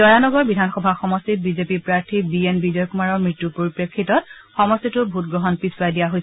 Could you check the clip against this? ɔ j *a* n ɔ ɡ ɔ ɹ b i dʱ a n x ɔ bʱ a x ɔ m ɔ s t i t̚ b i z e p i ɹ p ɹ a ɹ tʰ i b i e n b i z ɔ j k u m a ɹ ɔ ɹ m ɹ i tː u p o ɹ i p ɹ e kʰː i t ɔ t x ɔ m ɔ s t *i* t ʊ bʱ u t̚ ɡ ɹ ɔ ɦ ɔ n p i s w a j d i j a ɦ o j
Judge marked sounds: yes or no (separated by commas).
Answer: yes, yes